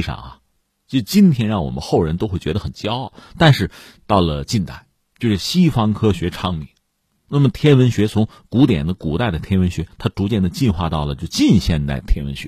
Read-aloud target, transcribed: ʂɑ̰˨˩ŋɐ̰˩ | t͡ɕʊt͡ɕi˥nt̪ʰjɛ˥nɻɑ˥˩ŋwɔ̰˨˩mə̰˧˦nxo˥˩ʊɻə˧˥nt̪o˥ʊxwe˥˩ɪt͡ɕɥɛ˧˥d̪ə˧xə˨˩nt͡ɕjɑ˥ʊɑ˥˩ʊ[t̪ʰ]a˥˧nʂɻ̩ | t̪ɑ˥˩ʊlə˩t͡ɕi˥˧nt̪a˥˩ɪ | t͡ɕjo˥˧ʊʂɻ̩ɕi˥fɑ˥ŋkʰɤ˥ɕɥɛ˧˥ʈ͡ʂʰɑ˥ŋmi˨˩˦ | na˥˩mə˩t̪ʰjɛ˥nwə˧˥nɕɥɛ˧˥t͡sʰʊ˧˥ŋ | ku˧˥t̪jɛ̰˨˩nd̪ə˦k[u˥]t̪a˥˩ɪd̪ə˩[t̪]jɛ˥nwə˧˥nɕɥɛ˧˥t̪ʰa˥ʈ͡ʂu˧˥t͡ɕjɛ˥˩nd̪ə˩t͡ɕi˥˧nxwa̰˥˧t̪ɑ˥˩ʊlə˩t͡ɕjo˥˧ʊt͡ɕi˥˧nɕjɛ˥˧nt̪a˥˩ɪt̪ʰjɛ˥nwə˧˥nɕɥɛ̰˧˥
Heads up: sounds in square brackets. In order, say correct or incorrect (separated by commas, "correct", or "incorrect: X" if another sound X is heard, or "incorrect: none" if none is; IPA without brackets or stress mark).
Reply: incorrect: t̪, incorrect: u˨˩, incorrect: t̪ʰ